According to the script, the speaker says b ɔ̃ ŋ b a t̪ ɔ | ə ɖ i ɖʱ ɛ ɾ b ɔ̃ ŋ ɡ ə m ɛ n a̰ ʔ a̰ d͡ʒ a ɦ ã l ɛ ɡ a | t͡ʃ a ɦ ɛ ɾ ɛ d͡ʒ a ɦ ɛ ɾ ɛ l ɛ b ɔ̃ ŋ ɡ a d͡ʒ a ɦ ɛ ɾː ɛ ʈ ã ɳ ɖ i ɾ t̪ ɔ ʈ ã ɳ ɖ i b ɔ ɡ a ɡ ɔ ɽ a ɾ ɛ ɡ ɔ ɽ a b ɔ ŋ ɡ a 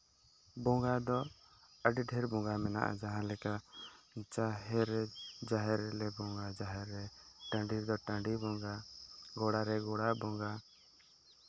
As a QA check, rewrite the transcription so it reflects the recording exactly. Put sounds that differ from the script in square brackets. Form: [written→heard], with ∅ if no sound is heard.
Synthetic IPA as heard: b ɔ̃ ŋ [b→ɡ] a [t̪→d̪] ɔ | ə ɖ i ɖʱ ɛ ɾ b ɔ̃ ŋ ɡ [ə→a] m ɛ n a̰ ʔ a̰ d͡ʒ a ɦ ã l ɛ [ɡ→k] a | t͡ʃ a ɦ ɛ ɾ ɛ d͡ʒ a ɦ ɛ ɾ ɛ l ɛ b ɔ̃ ŋ ɡ a d͡ʒ a ɦ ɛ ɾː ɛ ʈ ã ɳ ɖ i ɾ [t̪→d̪] ɔ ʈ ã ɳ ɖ i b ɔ ɡ a ɡ ɔ ɽ a ɾ ɛ ɡ ɔ ɽ a b ɔ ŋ ɡ a